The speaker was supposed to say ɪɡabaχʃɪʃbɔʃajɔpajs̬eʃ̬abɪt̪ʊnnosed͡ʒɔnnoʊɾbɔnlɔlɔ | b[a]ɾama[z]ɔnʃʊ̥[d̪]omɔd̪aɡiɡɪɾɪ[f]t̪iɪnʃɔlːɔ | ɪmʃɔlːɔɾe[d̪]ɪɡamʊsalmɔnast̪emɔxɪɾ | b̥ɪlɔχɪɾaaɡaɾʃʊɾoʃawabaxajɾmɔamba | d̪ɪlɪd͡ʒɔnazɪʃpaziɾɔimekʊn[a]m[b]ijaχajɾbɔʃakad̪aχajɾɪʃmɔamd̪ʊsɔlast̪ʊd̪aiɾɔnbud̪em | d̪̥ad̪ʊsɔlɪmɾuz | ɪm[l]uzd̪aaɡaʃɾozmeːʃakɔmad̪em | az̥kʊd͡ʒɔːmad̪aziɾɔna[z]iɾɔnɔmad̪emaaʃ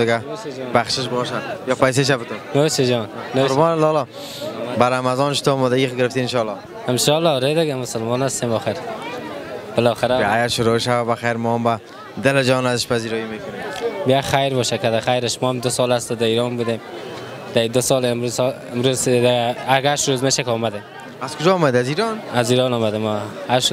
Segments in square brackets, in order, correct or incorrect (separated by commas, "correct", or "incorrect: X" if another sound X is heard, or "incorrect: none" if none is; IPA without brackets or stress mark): correct, correct, incorrect: t̪, correct, correct, incorrect: e, correct, incorrect: ɾ, correct